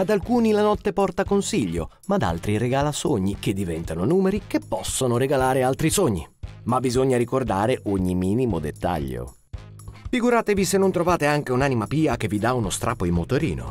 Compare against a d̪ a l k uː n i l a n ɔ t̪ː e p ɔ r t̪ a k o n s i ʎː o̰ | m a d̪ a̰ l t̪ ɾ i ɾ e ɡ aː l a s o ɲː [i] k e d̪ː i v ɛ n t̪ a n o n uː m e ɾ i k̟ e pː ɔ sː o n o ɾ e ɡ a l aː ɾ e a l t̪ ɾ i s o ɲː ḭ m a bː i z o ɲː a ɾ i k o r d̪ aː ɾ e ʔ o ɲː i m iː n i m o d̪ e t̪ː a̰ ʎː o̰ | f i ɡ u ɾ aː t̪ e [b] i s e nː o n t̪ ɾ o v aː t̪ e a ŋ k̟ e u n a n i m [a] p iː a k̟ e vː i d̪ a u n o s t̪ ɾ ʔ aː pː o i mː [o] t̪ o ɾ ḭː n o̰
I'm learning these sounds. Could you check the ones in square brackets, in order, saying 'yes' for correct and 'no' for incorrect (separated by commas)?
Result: yes, no, yes, yes